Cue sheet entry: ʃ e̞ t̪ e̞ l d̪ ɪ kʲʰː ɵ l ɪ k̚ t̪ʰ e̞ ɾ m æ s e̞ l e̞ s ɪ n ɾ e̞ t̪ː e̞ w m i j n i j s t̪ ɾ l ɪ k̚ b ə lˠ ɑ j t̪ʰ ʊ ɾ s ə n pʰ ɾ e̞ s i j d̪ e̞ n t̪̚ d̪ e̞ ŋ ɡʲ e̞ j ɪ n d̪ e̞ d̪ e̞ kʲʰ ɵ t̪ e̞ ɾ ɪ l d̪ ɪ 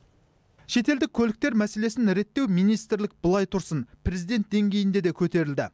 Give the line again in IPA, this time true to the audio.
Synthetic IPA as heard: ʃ e̞ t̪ e̞ l d̪ ɪ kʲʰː ɵ l ɪ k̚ t̪ e̞ ɾ m æ s e̞ l e̞ s ɪ n ɾ e̞ t̪ː e̞ w m i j n i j s t̪ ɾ l ɪ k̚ b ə lˠ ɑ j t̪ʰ ʊ ɾ s ə n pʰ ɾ e̞ z i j d̪ e̞ n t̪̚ d̪ e̞ ŋ ɡʲ e̞ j ɪ n d̪ e̞ d̪ e̞ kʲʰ ɵ t̪ e̞ ɾ ɪ l d̪ ɪ